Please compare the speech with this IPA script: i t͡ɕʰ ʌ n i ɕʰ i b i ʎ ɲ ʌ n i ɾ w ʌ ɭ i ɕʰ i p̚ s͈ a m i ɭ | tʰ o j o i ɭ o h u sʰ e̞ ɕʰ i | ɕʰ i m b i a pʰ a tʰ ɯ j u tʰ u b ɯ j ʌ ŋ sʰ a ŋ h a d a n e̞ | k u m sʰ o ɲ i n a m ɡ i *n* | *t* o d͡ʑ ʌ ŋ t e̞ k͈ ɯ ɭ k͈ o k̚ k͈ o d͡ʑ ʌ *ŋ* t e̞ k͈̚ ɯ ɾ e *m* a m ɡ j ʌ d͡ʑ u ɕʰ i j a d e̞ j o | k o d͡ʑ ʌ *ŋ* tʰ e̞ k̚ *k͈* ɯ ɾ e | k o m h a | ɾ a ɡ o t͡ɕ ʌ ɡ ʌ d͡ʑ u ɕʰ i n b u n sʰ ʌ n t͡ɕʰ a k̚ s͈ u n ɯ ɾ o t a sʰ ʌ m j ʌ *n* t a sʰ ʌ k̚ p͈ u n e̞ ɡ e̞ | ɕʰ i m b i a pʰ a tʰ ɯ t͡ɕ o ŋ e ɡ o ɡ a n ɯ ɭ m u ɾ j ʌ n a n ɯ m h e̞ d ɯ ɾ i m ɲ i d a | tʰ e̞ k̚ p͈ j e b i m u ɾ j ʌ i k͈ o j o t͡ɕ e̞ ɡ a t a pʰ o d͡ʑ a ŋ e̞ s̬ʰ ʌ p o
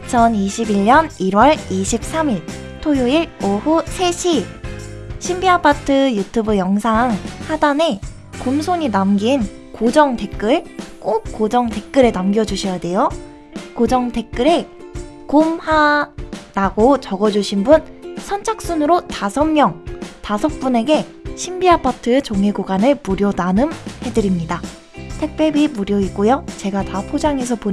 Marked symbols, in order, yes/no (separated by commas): yes, no, yes, no, yes, yes, no